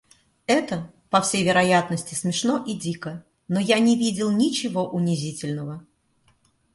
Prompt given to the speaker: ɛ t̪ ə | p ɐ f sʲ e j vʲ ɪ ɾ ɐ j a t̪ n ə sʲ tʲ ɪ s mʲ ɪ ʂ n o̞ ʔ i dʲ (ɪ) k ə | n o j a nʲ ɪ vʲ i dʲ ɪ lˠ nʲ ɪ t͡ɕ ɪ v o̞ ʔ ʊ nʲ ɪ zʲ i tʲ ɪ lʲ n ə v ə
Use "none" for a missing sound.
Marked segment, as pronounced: i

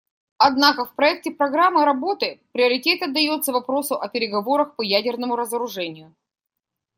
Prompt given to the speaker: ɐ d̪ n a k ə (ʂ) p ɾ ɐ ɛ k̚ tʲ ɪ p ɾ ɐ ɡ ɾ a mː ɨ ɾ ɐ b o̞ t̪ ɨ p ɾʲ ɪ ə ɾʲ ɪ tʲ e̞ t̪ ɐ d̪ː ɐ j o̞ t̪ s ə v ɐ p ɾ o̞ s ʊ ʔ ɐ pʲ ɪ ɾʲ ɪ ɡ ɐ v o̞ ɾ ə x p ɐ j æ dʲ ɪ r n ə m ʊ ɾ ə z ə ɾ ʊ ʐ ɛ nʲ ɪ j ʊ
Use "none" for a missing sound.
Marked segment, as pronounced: f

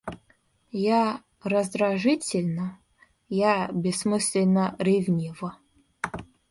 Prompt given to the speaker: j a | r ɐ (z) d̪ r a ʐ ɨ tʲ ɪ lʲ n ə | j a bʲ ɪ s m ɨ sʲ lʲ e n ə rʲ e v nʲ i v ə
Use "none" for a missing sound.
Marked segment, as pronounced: z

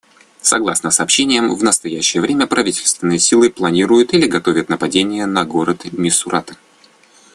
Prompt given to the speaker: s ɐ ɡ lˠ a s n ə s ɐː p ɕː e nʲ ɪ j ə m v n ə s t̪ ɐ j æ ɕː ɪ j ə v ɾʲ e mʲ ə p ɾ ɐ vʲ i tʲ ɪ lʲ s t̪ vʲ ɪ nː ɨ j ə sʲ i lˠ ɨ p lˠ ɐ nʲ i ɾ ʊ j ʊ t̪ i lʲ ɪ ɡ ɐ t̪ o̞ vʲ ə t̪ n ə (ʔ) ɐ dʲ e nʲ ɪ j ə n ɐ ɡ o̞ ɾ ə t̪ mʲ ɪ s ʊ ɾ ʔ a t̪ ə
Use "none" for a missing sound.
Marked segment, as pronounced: p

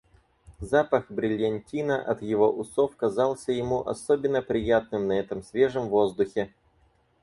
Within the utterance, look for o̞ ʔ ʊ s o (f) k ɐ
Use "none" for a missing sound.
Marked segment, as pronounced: f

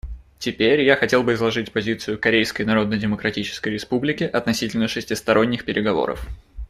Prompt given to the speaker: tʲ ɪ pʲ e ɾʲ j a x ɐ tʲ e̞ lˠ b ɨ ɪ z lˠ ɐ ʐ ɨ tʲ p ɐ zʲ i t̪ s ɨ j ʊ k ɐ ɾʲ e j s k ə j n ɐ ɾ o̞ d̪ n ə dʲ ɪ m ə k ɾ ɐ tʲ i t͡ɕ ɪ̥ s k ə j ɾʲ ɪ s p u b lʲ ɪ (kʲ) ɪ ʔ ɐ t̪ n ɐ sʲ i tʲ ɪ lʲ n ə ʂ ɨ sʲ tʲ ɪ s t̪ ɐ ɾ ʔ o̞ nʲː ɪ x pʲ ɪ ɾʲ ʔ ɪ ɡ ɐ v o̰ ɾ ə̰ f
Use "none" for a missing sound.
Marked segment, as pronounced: kʲ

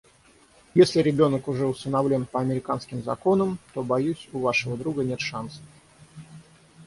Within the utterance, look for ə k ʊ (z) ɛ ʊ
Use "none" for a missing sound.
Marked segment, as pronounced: ʐ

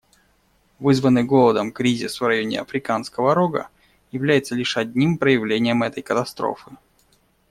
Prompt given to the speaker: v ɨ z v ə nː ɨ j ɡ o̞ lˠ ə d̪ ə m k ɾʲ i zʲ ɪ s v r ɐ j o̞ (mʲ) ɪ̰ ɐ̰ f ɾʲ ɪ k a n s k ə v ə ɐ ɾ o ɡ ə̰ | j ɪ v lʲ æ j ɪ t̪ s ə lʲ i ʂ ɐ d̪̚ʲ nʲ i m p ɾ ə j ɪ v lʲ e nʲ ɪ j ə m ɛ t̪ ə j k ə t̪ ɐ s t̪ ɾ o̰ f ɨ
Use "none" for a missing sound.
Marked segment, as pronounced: nʲ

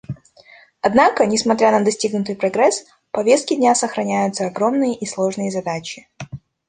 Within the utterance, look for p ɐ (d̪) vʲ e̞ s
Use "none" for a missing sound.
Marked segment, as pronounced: none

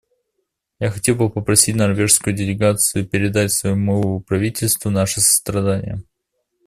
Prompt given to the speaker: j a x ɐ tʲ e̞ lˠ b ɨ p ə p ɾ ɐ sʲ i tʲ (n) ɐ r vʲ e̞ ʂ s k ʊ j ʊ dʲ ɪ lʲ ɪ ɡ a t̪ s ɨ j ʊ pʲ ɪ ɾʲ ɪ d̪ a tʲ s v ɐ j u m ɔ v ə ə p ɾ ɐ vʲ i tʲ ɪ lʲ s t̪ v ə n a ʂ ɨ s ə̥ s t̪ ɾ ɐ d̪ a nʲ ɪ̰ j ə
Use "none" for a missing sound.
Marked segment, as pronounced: n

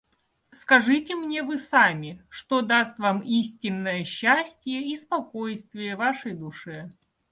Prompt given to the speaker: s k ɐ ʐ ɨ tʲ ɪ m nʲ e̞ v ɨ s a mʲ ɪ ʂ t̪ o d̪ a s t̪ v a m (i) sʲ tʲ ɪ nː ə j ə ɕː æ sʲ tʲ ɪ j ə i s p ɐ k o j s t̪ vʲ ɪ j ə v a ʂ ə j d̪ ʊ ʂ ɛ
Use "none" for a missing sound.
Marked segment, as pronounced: i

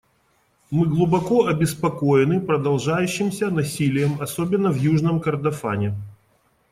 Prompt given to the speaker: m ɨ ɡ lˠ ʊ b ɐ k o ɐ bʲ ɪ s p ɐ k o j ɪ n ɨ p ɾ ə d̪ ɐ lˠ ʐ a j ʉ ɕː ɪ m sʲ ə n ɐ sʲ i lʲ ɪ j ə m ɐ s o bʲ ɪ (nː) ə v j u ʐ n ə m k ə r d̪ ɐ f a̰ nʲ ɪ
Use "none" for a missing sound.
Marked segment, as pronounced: nː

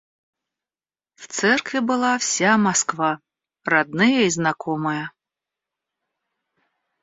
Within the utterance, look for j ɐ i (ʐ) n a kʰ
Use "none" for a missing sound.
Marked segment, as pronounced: z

